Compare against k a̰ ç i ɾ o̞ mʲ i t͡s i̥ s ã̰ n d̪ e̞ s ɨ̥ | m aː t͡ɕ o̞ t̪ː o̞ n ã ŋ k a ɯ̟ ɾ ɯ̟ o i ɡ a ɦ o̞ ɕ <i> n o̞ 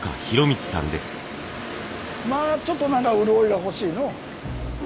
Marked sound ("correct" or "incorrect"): incorrect